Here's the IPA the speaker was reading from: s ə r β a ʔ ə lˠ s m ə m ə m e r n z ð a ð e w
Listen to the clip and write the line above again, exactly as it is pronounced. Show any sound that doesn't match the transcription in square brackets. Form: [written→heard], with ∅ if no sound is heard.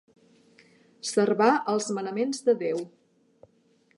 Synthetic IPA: s ə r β a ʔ ə lˠ [s→z] m ə [m→n] ə m e [r→∅] n z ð [a→ə] ð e w